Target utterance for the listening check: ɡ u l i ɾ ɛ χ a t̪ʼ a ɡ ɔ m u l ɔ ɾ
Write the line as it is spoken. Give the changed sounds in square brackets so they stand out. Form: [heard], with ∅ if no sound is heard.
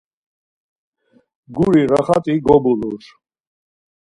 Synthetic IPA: ɡ u [ɾ] i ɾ [a] χ a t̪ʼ [i] ɡ ɔ [b] u l [u] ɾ